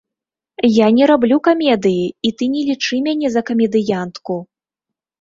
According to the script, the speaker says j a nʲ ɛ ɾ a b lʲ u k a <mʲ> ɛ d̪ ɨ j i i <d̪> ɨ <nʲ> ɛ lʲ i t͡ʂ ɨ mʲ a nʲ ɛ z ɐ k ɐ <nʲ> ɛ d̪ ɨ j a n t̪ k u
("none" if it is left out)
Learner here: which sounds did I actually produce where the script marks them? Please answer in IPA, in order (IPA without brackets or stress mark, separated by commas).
mʲ, t̪, nʲ, mʲ